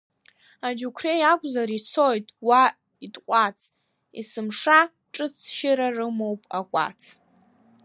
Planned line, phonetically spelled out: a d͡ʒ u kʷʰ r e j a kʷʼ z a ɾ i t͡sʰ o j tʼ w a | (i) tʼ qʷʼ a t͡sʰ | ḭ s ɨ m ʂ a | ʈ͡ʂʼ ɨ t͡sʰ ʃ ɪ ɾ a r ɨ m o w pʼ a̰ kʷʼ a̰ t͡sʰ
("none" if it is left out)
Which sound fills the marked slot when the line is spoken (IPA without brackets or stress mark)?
i